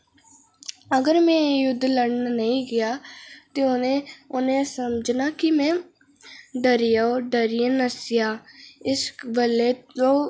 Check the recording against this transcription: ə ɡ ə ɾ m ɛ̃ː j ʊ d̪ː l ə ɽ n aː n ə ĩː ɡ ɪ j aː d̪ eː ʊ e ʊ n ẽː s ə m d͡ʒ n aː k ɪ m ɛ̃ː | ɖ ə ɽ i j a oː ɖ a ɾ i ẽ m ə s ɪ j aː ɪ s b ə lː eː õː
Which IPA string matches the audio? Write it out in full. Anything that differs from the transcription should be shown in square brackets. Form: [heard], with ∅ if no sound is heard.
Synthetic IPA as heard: ə ɡ ə ɾ m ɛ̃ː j ʊ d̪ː l ə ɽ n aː n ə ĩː ɡ ɪ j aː [t̪] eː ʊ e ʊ n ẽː s ə m d͡ʒ n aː k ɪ m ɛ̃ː | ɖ ə [ɾ] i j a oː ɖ [ə] ɾ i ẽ [n] ə s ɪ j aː ɪ s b ə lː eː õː

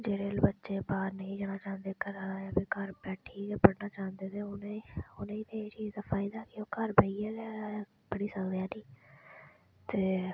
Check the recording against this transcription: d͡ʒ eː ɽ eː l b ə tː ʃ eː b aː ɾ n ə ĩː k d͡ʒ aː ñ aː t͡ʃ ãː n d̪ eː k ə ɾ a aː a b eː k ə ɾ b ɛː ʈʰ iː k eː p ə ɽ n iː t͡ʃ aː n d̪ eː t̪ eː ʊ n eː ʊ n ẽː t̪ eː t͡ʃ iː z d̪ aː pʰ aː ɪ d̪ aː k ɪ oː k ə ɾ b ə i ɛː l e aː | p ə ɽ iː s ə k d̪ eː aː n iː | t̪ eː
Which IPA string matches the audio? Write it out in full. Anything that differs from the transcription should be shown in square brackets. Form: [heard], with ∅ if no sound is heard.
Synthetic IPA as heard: d͡ʒ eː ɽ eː l b ə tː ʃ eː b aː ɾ n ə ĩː [∅] d͡ʒ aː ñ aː t͡ʃ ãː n d̪ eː k ə ɾ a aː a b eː k ə ɾ b ɛː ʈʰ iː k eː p ə ɽ n [aː] t͡ʃ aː n d̪ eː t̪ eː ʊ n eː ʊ n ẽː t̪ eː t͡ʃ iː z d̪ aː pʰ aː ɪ d̪ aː k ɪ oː k ə ɾ b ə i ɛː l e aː | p ə ɽ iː s ə k d̪ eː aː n iː | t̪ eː

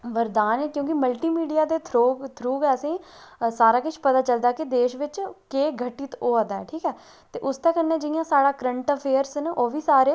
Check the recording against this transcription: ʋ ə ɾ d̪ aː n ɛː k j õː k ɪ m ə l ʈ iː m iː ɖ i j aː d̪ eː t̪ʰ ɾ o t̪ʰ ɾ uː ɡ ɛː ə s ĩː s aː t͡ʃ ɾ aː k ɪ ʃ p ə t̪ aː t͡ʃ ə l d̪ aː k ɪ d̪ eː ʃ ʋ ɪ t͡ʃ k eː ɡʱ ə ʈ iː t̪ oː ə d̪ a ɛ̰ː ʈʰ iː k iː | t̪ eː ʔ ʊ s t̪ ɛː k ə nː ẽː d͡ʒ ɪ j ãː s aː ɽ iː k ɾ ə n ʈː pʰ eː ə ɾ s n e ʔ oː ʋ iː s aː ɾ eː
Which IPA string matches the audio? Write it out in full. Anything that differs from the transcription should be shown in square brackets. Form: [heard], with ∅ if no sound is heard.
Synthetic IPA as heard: ʋ ə ɾ d̪ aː n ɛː k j õː k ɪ m ə l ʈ iː m iː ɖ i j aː d̪ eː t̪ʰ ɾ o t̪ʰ ɾ uː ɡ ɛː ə s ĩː s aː [∅] ɾ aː k ɪ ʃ p ə t̪ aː t͡ʃ ə l d̪ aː k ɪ d̪ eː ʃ ʋ ɪ t͡ʃ k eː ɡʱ ə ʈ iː t̪ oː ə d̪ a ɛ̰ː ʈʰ iː k [ɛː] | t̪ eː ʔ ʊ s t̪ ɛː k ə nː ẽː d͡ʒ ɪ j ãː s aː ɽ [aː] k ɾ ə [ɳ] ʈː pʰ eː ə ɾ s n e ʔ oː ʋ iː s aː ɾ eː

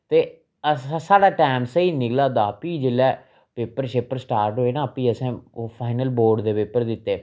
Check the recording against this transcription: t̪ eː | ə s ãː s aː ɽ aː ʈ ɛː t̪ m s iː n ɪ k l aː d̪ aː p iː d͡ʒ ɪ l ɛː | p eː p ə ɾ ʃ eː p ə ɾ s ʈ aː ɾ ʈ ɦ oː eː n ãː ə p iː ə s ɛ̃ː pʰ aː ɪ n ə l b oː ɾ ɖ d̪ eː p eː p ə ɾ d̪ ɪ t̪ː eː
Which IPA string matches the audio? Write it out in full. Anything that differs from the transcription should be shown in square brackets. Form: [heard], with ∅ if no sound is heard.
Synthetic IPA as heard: t̪ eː | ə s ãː s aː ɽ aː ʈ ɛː [∅] m s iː n ɪ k l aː d̪ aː p iː d͡ʒ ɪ l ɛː | p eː p ə ɾ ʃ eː p ə ɾ s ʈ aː ɾ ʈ ɦ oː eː n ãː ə p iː ə s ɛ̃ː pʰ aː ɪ n ə l b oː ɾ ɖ d̪ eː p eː p ə ɾ d̪ ɪ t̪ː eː

